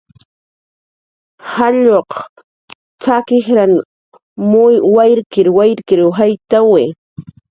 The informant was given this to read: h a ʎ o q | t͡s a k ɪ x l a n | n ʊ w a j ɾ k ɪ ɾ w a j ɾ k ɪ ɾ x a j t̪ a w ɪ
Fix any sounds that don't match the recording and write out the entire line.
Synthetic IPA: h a ʎ o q | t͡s a k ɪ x ɾ a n | m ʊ w a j ɾ k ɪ ɾ w a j ɾ k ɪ ɾ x a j t̪ a w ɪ